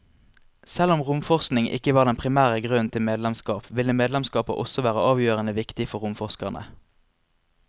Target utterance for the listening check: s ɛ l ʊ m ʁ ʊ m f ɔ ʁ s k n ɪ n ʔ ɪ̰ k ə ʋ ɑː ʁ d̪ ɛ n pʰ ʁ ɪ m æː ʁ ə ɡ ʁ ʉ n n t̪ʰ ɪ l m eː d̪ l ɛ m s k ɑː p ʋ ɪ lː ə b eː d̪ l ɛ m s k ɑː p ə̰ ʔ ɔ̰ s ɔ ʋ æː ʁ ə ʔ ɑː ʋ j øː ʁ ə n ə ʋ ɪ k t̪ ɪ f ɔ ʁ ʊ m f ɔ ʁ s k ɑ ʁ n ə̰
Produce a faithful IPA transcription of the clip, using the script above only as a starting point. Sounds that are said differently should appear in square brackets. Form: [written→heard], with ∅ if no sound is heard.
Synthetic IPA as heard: s ɛ l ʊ m ʁ ʊ m f ɔ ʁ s k n ɪ [n→ŋ] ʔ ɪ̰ k ə ʋ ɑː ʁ d̪ ɛ n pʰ ʁ ɪ m æː ʁ ə ɡ ʁ ʉ n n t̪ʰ ɪ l m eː d̪ l ɛ m s k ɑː p ʋ ɪ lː ə [b→m] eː d̪ l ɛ m s k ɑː p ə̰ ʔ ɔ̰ s ɔ ʋ æː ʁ ə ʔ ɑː ʋ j øː ʁ ə n ə ʋ ɪ k t̪ ɪ f ɔ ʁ ʊ m f ɔ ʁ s k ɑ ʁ n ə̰